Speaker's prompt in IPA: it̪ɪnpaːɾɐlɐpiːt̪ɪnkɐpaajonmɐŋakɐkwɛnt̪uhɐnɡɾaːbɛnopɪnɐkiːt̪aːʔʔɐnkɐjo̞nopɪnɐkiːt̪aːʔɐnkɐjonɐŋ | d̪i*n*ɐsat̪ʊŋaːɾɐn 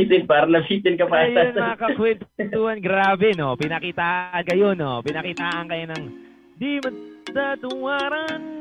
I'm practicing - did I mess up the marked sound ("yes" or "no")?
yes